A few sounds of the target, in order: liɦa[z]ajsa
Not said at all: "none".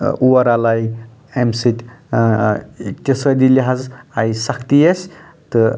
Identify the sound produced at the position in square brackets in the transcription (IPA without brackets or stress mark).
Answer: z